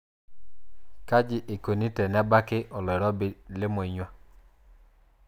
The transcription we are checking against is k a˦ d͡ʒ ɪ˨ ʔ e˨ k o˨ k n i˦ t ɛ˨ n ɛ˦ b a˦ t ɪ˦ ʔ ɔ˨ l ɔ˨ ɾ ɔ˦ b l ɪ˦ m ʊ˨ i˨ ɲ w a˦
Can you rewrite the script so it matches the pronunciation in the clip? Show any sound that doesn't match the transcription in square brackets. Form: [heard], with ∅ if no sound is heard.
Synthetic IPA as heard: k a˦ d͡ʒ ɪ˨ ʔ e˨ k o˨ [∅] n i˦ t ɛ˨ n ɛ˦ b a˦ [k] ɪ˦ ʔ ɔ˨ l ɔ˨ ɾ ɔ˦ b l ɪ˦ m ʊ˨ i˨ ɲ w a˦